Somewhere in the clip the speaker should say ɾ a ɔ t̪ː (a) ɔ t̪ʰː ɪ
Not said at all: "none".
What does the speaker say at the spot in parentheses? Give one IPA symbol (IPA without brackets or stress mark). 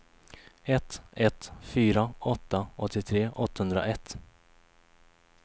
a